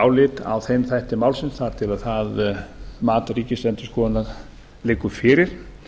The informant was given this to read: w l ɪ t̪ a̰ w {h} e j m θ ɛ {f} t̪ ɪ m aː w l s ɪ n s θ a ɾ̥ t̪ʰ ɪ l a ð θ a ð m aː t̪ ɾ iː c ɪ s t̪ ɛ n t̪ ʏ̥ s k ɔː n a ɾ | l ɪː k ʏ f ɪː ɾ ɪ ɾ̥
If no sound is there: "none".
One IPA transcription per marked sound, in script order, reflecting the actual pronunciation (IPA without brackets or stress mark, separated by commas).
θ, h